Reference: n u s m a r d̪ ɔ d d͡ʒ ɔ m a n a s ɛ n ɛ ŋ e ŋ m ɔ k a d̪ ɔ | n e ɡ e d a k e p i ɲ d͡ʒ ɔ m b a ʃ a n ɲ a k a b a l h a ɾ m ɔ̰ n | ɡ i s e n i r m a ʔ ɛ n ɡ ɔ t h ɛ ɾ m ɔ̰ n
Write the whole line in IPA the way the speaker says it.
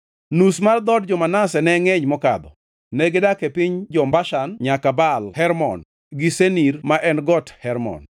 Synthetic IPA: n u s m a r d̪ ɔ d d͡ʒ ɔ m a n a s ɛ n ɛ ŋ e ɲ m ɔ k a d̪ ɔ | n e ɡ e d a k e p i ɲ d͡ʒ ɔ m b a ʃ a n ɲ a k a b a l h ɛ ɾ m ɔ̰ n | ɡ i s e n i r m a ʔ ɛ n ɡ ɔ t h ɛ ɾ m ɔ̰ n